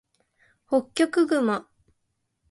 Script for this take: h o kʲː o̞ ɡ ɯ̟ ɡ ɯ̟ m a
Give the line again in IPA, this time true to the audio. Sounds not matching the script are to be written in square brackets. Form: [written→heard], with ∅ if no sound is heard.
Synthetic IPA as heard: h o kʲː o̞ [ɡ→k] ɯ̟ ɡ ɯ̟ m a